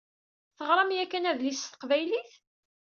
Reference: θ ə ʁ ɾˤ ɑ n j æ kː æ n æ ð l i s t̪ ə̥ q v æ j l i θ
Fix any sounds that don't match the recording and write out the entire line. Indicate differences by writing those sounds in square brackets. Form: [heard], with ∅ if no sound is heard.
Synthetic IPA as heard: θ ə ʁ ɾˤ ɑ [m] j æ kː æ n æ ð l i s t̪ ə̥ q v æ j l i θ

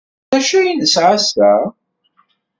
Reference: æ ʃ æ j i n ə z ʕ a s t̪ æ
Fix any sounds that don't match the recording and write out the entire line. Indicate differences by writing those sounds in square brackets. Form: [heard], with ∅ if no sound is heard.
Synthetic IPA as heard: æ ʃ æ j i n ə [s] ʕ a s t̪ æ

